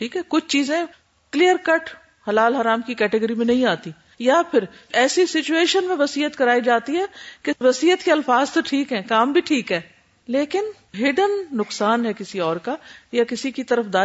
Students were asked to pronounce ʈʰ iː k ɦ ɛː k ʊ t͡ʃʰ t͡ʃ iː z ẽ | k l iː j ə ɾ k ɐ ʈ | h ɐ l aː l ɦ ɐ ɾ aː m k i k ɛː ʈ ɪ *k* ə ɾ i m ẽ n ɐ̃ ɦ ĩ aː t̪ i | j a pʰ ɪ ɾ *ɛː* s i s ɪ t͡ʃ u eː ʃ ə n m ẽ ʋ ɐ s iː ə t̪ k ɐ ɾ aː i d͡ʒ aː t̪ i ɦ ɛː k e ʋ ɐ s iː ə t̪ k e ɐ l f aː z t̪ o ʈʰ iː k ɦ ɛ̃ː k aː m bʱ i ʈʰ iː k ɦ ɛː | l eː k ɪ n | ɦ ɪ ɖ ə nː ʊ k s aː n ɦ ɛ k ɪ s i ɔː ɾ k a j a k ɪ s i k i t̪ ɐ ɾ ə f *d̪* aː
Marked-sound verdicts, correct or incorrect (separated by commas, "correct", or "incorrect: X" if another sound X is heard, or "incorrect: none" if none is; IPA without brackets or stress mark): incorrect: ɡ, correct, correct